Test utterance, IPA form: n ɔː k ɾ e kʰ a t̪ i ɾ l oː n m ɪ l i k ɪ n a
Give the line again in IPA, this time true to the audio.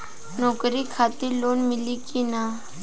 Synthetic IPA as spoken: n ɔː k ɾ i kʰ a t̪ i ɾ l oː n m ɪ l i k i n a